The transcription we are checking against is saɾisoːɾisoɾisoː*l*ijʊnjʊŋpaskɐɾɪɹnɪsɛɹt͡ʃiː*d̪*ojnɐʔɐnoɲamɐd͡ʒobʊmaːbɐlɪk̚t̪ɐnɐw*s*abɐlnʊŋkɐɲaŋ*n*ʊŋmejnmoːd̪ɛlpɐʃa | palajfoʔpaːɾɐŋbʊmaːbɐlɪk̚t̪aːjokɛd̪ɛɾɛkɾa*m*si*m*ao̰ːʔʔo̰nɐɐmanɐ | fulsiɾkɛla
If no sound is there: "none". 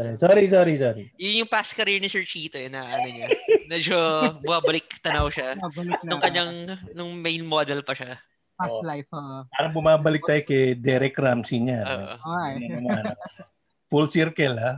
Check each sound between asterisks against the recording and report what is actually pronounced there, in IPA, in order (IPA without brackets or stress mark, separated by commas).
ɾ, t̪, ʃ, n, m, ɲ